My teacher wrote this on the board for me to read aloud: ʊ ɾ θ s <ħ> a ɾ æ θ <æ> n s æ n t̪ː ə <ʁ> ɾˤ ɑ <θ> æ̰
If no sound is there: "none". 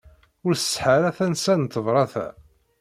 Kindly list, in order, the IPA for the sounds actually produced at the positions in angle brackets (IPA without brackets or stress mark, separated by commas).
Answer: ħ, æ, v, θ